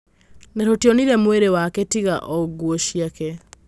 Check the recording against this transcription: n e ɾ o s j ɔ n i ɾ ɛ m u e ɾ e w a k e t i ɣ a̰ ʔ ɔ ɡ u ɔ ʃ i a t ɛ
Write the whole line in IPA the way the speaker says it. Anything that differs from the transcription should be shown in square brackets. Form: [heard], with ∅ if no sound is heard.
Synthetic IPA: n e ɾ o [t] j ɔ n i ɾ ɛ m [w] e ɾ e w a k e t i ɣ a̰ ʔ ɔ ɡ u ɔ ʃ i a [k] ɛ